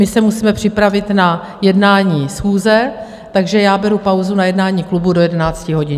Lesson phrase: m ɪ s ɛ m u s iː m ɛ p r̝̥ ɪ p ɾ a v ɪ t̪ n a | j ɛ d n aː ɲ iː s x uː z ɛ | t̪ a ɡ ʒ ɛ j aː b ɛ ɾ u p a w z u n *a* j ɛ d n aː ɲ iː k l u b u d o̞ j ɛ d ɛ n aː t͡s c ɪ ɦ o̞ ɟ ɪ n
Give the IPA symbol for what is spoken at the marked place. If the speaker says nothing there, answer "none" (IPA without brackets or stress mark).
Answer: a